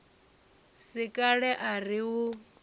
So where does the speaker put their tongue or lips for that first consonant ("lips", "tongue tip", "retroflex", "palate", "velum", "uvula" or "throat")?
tongue tip